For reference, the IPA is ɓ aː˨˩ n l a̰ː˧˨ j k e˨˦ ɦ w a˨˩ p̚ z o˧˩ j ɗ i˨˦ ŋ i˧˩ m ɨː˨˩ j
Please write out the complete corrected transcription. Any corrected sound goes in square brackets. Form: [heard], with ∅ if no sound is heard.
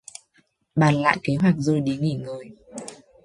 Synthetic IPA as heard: ɓ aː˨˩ n l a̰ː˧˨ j k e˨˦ ɦ w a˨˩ [k̚] z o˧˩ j ɗ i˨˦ ŋ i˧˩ [ŋ] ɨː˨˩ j